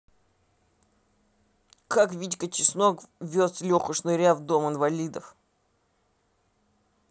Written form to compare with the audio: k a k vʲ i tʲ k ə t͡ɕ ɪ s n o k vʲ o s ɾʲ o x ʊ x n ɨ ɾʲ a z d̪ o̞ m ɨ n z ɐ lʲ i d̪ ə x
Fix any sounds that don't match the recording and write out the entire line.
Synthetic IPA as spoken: k a k vʲ i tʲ k ə t͡ɕ ɪ s n o k vʲ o s lʲ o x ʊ ʂ n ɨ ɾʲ a v d̪ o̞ m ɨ n v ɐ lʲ i d̪ ə f